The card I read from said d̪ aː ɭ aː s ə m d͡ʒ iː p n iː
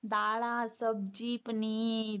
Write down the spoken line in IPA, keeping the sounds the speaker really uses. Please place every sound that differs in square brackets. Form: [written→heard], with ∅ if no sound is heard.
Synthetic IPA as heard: d̪ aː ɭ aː s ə [m→b] d͡ʒ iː p n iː